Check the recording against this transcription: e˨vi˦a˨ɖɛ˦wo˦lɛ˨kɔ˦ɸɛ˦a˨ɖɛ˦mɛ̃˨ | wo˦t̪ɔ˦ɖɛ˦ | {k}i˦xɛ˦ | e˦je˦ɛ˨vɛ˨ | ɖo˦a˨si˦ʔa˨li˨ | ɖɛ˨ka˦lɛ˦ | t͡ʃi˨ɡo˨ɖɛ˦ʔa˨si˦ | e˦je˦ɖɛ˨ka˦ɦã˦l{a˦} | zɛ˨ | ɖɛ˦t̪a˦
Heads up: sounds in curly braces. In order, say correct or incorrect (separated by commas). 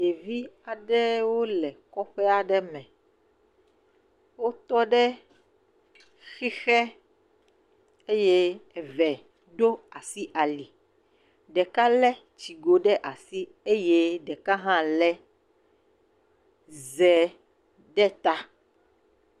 incorrect, incorrect